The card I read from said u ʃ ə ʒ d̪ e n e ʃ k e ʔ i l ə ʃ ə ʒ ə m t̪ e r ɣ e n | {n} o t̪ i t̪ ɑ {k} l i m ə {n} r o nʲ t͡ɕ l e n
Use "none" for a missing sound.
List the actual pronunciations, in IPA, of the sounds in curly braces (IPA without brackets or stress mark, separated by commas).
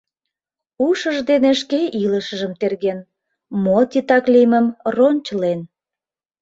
m, k, m